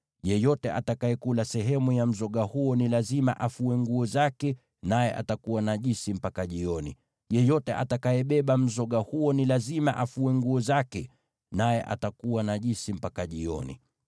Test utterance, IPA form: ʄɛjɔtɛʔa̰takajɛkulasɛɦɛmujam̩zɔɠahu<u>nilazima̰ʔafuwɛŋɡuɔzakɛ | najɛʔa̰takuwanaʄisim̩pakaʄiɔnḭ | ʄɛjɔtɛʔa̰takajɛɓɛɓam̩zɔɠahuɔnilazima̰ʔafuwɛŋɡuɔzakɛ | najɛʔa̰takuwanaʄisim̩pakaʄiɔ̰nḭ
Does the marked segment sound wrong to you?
yes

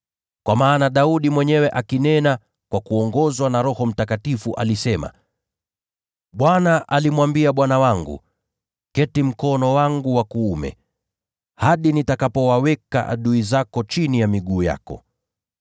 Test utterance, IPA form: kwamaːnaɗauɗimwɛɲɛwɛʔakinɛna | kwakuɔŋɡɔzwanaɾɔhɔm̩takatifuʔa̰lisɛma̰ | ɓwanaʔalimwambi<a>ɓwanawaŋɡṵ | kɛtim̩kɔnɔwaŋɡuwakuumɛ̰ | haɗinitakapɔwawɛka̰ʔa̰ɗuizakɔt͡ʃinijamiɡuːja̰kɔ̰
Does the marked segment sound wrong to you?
no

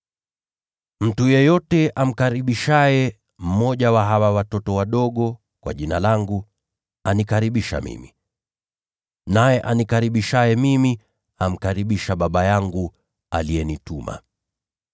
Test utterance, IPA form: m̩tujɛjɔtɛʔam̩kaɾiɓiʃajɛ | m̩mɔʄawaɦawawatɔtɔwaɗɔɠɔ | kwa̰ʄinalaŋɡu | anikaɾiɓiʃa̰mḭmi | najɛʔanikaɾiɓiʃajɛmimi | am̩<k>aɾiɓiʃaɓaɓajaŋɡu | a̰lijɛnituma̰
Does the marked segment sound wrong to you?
no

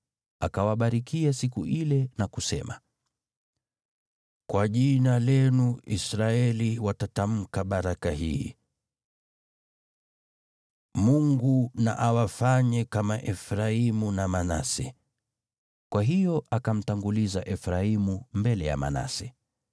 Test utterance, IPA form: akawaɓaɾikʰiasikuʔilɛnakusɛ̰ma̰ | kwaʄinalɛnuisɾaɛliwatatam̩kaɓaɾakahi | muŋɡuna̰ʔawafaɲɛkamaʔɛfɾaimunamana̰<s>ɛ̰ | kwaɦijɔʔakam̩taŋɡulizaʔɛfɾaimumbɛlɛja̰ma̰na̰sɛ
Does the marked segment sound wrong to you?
no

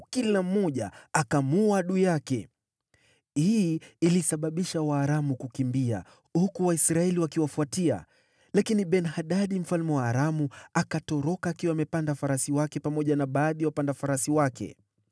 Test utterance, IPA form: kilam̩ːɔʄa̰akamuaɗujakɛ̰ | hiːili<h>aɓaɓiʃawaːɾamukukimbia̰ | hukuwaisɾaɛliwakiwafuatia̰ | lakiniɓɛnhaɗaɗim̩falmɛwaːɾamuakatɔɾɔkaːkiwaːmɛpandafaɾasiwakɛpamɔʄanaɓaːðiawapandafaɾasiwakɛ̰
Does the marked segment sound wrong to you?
yes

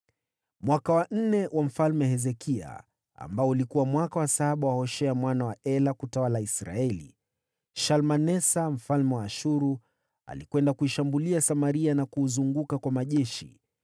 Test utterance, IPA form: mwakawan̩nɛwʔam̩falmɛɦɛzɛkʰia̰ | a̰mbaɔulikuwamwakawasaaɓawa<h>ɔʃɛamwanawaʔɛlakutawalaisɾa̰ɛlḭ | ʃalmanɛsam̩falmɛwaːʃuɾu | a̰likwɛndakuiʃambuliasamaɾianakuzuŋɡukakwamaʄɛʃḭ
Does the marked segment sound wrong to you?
no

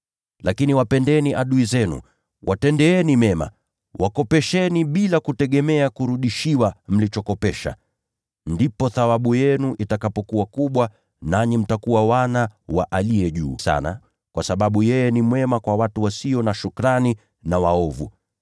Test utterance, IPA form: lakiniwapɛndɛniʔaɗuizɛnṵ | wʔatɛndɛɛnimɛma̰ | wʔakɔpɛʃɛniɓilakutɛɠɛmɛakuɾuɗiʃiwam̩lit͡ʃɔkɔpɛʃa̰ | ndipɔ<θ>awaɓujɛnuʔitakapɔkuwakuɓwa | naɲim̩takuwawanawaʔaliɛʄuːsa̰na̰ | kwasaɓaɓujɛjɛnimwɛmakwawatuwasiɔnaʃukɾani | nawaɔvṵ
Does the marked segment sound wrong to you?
no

